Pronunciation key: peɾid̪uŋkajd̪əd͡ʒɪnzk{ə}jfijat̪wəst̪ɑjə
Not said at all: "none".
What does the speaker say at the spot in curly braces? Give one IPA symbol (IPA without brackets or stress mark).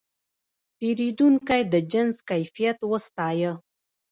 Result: a